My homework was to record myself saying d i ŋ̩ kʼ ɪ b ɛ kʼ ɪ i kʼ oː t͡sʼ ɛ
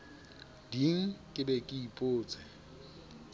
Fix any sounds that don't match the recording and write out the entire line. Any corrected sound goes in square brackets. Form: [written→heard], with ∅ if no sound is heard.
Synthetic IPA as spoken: d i ŋ̩ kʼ ɪ b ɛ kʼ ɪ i [kʼ→pʼ] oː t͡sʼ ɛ